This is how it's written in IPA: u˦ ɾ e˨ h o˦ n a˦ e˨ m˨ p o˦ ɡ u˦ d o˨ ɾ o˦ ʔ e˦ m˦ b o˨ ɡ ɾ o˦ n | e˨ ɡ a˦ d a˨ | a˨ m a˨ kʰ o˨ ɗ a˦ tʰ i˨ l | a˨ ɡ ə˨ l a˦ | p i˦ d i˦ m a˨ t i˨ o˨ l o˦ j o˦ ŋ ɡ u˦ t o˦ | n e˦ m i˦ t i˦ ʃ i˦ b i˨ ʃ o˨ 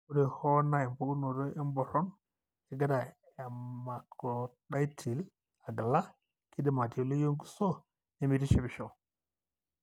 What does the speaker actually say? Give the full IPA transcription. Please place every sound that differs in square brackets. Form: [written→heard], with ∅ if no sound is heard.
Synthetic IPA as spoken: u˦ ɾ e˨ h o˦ n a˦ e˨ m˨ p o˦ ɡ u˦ [d→n] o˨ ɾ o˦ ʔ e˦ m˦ b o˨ [ɡ→∅] ɾ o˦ n | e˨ ɡ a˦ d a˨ | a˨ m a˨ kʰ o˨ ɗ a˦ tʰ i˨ l | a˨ ɡ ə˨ l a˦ | [p→k] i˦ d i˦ m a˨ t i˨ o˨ l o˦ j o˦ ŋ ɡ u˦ [t→s] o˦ | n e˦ m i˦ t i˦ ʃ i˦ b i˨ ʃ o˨